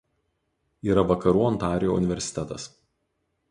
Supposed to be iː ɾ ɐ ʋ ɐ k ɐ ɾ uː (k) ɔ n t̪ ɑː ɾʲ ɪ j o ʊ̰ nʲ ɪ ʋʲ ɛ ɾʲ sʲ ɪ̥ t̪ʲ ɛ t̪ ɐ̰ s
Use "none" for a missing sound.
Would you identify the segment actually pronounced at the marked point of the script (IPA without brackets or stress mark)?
none